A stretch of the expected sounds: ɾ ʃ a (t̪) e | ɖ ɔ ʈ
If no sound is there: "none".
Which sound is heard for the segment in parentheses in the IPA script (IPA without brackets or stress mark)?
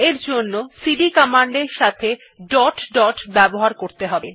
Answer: t̪ʰ